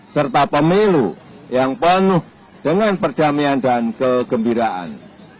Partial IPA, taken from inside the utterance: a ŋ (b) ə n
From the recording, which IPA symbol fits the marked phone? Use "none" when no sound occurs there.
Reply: p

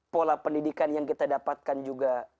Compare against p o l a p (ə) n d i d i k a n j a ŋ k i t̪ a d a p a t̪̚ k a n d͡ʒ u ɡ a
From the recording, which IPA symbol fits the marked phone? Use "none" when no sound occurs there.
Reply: ə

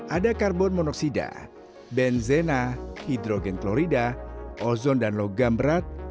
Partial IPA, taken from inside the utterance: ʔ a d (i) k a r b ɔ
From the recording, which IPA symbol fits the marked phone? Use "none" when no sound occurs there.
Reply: a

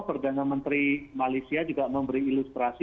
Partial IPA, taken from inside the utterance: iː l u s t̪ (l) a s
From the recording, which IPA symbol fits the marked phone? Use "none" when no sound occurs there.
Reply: ɾ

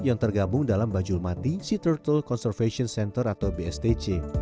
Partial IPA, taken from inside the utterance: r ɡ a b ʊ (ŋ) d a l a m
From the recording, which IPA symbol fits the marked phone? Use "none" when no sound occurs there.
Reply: ŋ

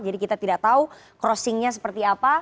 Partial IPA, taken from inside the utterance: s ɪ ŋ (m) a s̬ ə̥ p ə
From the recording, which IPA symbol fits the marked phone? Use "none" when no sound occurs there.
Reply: ɲ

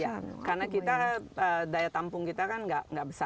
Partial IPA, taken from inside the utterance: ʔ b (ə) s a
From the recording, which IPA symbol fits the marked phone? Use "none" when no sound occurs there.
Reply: ə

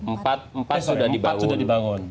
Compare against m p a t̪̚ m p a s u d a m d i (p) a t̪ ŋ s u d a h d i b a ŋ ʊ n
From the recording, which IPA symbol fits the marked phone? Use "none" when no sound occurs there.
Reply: b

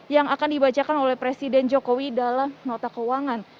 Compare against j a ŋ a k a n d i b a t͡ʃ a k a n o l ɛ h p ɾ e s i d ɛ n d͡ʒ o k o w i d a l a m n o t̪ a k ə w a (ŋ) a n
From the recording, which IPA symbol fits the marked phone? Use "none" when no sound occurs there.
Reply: ŋ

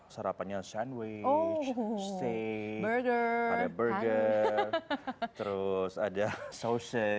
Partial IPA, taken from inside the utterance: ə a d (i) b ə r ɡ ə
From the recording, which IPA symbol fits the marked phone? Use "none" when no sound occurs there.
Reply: a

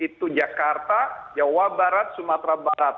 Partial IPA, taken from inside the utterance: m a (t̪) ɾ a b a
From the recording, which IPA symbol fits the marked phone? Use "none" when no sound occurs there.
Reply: t̪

